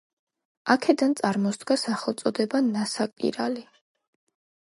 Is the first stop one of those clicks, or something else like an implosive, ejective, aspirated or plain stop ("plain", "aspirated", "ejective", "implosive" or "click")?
aspirated